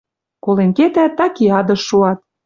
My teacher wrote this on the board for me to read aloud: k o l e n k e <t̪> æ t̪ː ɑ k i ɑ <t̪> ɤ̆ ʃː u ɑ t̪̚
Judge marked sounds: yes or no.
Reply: yes, no

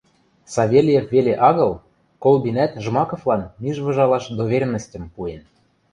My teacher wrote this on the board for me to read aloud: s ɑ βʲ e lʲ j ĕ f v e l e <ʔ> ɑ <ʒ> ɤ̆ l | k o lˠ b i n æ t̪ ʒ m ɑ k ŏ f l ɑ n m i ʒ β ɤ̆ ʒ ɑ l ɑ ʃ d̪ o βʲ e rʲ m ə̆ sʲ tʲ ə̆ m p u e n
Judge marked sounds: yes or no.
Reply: yes, no

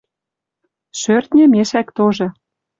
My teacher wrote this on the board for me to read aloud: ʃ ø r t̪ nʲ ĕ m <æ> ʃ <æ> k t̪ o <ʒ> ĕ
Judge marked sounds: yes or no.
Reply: no, yes, yes

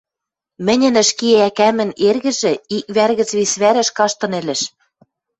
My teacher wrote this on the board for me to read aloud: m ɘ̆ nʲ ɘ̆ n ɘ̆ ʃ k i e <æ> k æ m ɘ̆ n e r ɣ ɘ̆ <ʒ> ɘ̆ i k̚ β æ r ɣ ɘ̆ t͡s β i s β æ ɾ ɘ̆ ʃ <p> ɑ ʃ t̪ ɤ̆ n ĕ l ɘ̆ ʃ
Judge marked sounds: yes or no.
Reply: yes, yes, no

